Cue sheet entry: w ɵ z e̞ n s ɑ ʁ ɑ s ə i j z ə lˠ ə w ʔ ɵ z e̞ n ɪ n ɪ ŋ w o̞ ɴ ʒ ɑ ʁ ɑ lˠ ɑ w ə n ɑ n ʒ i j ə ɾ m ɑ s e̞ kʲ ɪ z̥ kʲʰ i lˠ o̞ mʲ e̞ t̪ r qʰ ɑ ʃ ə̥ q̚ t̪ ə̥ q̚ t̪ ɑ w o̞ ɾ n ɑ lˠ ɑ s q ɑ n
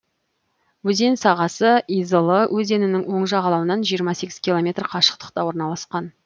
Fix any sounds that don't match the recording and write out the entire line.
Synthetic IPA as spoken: w ɵ z e̞ n s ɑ ʁ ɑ s ə i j z ə lˠ ə w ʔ ɵ z e̞ n ɪ n ɪ ŋ w o̞ ɴ ʒ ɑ ʁ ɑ lˠ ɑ w ə n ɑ n ʒ i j ə ɾ m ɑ s e̞ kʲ ɪ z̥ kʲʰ i lˠ o̞ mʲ e̞ t̪ r qʰ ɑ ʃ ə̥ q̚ t̪ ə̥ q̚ t̪ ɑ w o̞ ɾ n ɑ lˠ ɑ s q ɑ n